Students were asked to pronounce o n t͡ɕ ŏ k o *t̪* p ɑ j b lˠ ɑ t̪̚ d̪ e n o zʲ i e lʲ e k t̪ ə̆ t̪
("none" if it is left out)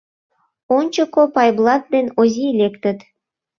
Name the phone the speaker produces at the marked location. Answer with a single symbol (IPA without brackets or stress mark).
none